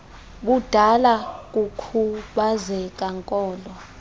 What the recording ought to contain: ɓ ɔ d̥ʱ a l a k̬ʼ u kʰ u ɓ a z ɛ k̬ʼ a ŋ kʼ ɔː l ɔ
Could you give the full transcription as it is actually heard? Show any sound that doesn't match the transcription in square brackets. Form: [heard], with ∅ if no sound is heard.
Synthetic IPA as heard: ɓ [u] d̥ʱ a l a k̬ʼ u kʰ u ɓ a z ɛ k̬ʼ a ŋ kʼ ɔː l ɔ